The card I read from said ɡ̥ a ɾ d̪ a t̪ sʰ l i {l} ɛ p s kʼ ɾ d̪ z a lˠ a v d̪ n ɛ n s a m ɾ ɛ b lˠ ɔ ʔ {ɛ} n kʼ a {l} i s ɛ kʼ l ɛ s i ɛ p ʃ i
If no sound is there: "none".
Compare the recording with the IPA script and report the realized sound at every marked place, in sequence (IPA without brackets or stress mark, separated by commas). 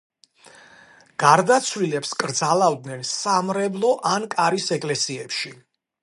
l, a, ɾ